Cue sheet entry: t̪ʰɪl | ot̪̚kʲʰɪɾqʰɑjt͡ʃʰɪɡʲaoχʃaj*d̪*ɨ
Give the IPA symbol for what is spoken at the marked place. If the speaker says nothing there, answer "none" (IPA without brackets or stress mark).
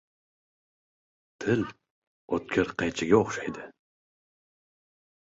d̪